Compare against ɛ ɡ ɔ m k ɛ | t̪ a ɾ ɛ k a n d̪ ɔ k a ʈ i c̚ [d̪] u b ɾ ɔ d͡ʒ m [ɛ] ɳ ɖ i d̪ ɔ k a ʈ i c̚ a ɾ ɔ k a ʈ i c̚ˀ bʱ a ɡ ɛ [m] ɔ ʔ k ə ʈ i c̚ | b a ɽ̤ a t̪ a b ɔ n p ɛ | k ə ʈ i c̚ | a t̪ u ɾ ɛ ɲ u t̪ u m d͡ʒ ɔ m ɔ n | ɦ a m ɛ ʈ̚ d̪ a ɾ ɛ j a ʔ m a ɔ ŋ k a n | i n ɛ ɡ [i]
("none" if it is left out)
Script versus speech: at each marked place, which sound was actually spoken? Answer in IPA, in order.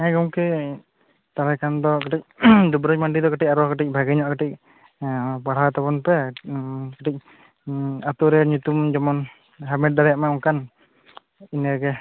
d̪, a, ɲ, ɛ

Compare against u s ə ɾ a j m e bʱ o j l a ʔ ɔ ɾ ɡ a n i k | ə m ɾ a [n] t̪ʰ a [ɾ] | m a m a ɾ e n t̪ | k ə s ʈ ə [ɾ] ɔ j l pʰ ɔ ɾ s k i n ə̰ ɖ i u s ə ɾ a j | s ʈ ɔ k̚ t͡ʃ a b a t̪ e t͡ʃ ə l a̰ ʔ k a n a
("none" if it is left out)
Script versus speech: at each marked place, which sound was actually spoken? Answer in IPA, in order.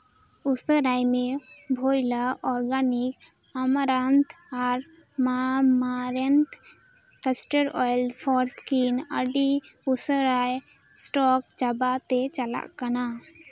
n, ɾ, ɾ

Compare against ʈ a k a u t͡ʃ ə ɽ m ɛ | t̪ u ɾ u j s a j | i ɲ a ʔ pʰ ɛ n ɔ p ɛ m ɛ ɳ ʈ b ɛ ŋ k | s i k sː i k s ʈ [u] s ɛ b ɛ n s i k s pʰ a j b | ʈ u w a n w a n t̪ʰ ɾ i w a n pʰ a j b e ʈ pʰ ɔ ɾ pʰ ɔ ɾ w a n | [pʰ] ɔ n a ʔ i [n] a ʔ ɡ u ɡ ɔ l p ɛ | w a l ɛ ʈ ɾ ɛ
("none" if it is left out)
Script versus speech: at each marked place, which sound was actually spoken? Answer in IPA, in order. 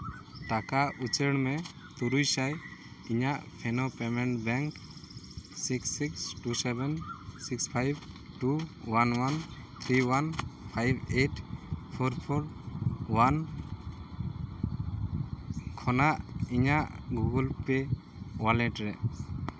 u, kʰ, ɲ

